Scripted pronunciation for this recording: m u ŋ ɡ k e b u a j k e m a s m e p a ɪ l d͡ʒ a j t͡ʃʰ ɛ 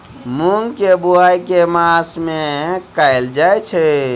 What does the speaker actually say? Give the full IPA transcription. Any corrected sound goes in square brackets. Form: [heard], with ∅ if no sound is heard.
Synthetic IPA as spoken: m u ŋ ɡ k e b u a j k e m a s m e [k] a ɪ l d͡ʒ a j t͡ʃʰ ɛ